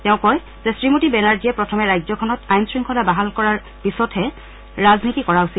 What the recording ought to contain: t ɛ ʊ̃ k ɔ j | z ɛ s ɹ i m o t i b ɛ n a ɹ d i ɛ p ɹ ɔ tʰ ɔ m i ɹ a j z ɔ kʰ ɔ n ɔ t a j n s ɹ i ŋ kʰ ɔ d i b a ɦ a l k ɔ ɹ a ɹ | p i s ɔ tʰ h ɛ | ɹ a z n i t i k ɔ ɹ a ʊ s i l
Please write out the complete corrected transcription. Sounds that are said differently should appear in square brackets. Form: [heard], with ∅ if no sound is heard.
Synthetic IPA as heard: t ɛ ʊ̃ k ɔ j | z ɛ s ɹ i m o t i b ɛ n a ɹ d i ɛ p ɹ ɔ tʰ ɔ m [ɛ] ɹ a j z ɔ kʰ ɔ n ɔ t a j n s ɹ i ŋ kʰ ɔ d [a] b a ɦ a l k ɔ ɹ a ɹ | p i s ɔ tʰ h ɛ | ɹ a z n i t i k ɔ ɹ a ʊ s i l